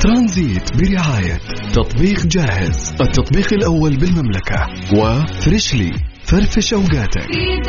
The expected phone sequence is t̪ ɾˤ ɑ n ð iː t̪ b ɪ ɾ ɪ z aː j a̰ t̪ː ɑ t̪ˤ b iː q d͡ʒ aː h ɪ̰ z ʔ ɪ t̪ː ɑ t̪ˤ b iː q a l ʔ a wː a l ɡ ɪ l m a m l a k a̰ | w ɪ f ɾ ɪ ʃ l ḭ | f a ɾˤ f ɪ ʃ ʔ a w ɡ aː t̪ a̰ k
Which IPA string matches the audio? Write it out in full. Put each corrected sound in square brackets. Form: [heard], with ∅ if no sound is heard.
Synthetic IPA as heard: t̪ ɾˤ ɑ n [z] iː t̪ b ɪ ɾ ɪ [ʕ] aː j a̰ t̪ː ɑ t̪ˤ b iː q d͡ʒ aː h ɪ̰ z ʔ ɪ t̪ː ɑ t̪ˤ b iː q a l ʔ a wː a l [b] ɪ l m a m l a k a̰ | w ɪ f ɾ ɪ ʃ l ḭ | f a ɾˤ f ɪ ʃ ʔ a w ɡ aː t̪ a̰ k